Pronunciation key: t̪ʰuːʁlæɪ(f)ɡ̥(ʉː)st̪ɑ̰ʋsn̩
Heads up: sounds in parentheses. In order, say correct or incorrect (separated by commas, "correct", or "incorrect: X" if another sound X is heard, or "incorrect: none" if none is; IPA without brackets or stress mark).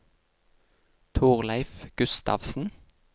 correct, incorrect: ʉ